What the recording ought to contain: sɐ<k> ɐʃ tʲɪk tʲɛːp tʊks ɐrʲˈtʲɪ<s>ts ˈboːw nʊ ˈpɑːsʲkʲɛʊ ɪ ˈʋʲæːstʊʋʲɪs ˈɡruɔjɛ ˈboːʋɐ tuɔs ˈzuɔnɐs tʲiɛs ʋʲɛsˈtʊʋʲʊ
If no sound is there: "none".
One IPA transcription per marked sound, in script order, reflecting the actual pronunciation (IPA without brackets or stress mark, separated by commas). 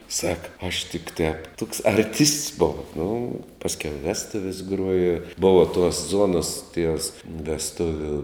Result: k, s